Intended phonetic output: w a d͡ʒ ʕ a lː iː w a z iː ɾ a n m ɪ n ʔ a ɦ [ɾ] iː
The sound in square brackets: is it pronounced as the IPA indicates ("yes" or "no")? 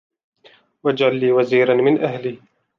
no